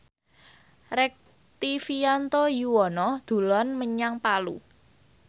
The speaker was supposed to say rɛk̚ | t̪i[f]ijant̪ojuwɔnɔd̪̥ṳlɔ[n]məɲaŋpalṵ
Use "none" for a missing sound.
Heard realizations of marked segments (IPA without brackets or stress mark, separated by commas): f, n